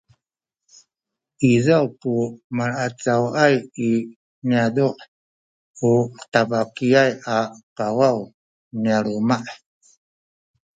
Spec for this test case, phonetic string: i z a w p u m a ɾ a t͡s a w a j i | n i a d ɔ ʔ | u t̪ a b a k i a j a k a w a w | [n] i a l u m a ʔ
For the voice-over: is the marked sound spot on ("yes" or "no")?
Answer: yes